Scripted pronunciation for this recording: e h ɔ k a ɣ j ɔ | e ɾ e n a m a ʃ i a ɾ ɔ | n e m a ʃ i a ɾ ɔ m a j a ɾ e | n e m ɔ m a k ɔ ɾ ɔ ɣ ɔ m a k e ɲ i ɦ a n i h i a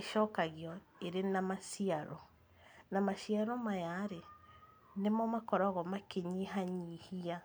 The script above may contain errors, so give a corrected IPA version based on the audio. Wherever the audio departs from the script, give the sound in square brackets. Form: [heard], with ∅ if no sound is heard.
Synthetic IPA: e [ʃ] ɔ k a ɣ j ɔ | e ɾ e n a m a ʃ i a ɾ ɔ | n [a] m a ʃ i a ɾ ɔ m a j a ɾ e | n e m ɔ m a k ɔ ɾ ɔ ɣ ɔ m a k e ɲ i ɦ a [ɲ] i h i a